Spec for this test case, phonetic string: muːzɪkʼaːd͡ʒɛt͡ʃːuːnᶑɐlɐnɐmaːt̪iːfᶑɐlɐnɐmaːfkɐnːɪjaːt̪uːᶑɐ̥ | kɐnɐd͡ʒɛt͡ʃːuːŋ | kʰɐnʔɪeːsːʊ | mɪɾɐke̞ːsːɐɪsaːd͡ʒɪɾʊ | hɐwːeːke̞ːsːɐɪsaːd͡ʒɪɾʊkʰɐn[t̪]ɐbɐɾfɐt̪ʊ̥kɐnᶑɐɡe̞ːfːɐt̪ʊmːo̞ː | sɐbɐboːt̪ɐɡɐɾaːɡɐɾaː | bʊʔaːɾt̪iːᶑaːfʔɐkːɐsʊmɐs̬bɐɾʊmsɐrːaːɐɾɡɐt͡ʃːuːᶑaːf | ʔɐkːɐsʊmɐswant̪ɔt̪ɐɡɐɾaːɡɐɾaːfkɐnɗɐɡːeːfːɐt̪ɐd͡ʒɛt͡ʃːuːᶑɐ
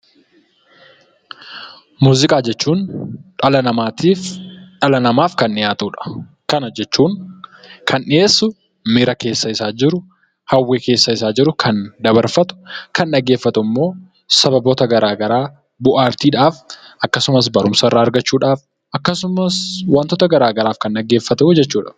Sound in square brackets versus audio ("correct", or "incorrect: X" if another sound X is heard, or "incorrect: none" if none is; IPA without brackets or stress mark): incorrect: d̪